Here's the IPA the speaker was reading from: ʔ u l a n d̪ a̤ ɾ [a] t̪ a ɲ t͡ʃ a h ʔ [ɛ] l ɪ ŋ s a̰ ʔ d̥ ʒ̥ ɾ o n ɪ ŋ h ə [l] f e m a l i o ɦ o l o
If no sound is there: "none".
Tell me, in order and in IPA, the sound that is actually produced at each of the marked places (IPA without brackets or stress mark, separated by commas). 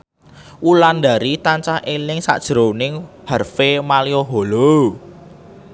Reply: i, e, r